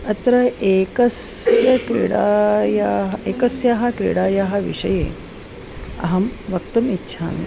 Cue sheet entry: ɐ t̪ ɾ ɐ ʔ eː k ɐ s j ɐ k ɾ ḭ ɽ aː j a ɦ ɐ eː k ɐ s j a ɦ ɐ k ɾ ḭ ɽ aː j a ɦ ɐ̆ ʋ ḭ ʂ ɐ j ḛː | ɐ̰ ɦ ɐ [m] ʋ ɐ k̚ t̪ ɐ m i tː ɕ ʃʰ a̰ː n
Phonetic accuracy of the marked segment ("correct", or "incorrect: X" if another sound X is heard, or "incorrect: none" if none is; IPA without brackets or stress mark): correct